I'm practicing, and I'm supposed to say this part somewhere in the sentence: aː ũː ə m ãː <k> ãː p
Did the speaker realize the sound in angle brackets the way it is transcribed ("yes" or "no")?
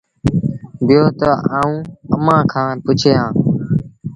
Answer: no